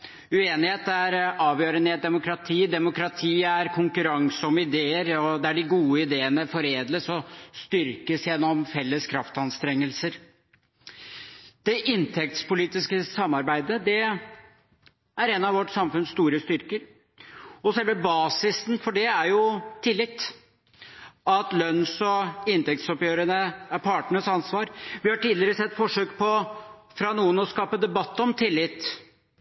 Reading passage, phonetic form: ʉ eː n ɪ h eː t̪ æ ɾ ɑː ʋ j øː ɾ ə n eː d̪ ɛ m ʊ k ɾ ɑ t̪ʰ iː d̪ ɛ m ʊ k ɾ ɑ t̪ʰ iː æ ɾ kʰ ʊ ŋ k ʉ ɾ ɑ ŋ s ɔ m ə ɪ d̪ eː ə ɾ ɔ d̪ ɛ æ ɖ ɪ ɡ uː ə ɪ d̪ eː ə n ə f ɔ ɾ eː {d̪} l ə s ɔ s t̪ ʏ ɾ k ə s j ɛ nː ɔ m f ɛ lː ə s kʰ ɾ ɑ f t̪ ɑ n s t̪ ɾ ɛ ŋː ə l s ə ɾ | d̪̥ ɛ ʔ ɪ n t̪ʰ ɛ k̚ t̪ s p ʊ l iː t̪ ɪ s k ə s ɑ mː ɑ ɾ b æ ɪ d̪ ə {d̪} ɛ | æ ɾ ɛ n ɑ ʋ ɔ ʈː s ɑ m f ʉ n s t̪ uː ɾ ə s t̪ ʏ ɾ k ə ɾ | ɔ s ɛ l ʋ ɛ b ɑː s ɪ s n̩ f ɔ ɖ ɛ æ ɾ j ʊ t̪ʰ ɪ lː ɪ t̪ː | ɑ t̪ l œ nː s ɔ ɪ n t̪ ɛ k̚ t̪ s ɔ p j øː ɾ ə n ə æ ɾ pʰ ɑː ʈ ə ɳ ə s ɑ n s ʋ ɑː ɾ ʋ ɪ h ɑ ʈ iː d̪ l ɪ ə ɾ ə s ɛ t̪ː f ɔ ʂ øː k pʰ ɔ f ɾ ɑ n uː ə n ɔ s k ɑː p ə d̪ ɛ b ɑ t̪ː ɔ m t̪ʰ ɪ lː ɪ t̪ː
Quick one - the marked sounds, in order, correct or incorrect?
correct, correct

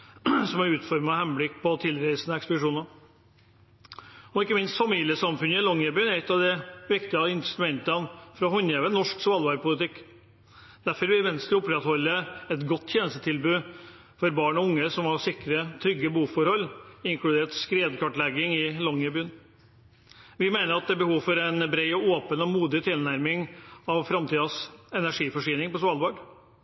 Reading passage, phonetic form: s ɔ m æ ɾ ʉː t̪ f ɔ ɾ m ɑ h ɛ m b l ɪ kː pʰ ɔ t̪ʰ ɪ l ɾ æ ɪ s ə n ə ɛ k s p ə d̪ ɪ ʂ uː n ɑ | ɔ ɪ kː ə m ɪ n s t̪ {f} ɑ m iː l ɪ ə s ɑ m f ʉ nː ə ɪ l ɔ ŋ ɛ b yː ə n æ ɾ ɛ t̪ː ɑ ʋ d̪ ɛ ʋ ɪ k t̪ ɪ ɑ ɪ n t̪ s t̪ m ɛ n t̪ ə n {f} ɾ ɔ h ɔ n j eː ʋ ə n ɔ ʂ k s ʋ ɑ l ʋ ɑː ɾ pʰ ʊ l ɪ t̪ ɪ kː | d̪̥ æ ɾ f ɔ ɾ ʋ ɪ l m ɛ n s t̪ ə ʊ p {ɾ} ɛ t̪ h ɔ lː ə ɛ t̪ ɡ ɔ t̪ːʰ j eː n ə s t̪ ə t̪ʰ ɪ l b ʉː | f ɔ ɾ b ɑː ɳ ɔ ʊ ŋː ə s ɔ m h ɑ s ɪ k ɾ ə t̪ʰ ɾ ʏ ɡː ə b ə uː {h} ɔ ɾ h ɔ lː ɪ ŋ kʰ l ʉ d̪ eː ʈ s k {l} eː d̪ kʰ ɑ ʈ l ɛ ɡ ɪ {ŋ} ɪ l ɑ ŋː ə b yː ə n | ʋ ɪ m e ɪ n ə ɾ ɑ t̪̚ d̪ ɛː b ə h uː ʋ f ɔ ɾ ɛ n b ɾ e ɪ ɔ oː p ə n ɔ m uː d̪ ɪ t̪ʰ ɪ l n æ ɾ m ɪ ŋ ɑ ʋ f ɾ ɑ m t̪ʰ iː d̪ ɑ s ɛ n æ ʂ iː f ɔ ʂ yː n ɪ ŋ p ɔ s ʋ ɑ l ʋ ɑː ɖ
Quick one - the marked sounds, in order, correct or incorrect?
correct, correct, correct, incorrect, incorrect, correct

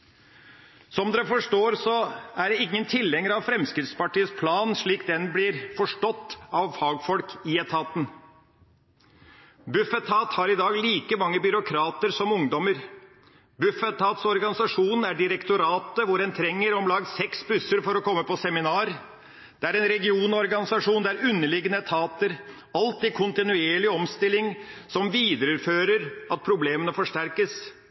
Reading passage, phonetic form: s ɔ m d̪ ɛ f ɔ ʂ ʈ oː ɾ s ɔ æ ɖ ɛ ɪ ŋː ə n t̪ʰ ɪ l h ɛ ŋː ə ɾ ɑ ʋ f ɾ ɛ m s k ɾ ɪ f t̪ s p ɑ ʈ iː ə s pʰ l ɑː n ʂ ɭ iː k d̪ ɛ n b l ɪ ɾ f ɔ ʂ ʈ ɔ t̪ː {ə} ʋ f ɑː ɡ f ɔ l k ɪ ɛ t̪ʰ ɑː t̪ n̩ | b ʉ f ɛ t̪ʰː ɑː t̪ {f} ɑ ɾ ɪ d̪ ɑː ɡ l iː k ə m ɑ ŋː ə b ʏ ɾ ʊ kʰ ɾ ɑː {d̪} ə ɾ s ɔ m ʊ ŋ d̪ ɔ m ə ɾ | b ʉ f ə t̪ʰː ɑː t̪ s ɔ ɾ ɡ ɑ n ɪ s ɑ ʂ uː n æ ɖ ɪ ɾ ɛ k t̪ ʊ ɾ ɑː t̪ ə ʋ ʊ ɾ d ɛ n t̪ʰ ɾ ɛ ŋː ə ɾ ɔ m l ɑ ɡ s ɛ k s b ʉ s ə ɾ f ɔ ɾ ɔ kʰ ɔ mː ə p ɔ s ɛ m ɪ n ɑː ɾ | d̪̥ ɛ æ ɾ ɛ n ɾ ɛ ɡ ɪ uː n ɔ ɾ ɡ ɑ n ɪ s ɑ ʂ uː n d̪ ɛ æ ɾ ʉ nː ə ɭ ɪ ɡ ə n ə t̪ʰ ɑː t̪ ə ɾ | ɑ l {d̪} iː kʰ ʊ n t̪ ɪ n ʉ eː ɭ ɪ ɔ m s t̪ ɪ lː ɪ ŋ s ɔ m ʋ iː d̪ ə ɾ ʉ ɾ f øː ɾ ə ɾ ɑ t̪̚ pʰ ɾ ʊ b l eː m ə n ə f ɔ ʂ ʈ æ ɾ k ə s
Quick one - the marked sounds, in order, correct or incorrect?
incorrect, incorrect, incorrect, incorrect

